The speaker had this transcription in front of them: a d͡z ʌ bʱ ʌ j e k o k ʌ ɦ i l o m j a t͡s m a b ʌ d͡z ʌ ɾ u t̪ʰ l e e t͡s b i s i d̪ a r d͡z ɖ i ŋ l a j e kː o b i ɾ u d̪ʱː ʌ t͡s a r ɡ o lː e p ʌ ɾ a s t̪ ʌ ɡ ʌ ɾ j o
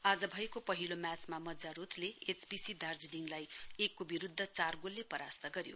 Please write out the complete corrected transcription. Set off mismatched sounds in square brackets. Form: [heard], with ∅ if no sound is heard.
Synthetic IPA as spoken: a d͡z ʌ bʱ ʌ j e k o [p] ʌ ɦ i l o m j a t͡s m a [m] ʌ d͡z [a] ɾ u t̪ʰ l e e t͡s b i s i d̪ a r d͡z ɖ i ŋ l a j e kː o b i ɾ u d̪ʱː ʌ t͡s a r ɡ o lː e p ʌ ɾ a s t̪ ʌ ɡ ʌ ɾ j o